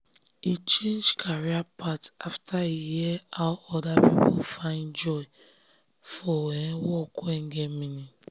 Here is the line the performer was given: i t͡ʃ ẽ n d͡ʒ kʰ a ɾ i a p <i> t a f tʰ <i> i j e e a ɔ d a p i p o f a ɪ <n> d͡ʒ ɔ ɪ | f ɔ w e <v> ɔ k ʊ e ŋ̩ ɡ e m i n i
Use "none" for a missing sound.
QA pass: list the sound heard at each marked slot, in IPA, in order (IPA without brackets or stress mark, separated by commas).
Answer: a, a, n, w